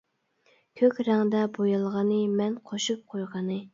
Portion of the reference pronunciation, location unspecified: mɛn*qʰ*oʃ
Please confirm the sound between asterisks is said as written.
yes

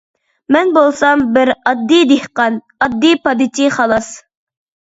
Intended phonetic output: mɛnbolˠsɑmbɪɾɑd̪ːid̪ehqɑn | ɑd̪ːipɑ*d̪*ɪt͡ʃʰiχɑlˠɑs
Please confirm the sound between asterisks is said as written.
yes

